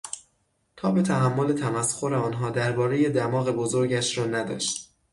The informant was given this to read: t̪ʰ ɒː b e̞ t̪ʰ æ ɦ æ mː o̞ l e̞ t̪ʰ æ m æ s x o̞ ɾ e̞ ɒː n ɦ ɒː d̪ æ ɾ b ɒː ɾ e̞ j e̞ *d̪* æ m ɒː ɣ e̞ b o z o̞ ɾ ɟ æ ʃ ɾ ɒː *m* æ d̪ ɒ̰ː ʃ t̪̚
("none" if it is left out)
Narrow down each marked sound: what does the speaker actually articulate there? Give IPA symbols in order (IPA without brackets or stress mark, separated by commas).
d̪, n